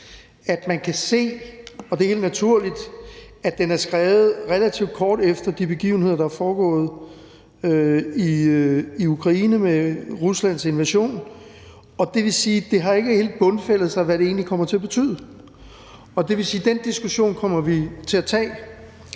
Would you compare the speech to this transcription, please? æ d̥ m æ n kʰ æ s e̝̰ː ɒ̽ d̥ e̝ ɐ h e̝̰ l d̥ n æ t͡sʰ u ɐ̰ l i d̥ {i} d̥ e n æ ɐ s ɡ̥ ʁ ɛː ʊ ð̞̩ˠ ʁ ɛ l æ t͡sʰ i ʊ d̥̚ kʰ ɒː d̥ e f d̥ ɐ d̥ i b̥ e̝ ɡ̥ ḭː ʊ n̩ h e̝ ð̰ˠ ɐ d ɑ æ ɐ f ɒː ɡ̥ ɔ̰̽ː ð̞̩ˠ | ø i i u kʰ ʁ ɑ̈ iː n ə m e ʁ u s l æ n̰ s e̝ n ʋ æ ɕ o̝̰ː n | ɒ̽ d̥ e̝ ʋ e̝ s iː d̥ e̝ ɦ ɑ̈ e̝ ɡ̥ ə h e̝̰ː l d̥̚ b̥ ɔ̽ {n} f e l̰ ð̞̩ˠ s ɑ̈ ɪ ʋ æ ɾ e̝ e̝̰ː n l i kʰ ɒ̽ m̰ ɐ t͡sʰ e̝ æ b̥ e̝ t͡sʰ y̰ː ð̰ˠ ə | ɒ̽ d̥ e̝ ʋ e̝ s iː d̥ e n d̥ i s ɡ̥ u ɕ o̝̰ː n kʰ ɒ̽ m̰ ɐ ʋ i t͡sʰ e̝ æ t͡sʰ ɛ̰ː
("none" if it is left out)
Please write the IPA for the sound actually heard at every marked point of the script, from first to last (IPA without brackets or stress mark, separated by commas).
æ, n